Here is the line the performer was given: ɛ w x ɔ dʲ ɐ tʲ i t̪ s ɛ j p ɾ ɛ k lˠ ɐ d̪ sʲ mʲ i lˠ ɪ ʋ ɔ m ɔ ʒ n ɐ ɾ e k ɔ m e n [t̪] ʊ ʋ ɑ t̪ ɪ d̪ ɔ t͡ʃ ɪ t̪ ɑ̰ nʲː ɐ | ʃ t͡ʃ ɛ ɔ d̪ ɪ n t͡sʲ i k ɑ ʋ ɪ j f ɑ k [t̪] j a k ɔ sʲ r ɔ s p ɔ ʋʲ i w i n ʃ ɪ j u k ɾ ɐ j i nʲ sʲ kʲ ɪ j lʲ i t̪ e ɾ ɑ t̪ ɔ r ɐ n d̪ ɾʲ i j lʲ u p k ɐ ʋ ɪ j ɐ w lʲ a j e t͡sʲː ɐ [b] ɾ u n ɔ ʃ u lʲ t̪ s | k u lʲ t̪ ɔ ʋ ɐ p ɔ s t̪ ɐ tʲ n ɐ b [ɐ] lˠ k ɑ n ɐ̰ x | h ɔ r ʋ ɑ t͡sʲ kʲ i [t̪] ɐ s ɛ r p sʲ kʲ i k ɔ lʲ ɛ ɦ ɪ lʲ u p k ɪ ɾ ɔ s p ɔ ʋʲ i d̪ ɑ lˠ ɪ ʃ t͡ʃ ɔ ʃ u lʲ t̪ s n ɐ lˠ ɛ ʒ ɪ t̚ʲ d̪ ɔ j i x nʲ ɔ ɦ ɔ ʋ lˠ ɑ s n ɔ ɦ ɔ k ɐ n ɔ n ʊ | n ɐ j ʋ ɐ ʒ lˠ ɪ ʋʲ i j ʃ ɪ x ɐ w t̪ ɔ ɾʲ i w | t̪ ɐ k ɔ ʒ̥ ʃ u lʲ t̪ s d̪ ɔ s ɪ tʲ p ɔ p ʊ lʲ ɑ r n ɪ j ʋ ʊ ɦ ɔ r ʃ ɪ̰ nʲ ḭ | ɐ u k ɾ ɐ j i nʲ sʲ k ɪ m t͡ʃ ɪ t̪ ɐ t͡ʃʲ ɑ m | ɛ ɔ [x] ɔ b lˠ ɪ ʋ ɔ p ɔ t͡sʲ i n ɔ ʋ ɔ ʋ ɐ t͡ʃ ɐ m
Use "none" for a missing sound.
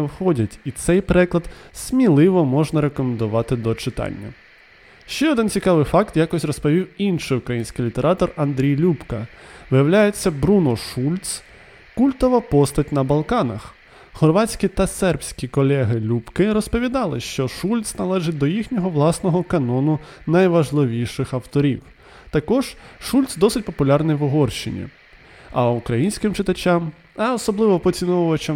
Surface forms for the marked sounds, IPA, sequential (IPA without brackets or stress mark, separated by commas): d̪, t̪, b, ɐ, t̪, s